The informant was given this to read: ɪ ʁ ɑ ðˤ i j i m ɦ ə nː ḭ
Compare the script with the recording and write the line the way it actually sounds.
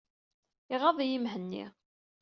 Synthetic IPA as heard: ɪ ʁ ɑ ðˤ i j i m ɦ ə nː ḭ

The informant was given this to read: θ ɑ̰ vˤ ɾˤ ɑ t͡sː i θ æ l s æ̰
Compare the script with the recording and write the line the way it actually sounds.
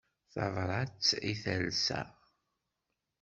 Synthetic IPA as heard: θ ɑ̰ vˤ ɾˤ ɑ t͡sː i θ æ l s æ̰

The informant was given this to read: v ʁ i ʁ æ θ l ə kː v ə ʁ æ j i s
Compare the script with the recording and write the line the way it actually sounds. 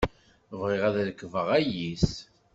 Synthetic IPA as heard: v ʁ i ʁ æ ð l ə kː v ə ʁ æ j i s

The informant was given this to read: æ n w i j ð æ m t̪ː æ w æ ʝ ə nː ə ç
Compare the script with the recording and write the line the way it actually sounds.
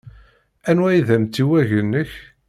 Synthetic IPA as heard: æ n w æ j ð æ m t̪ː i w æ ʝ ə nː ə ç

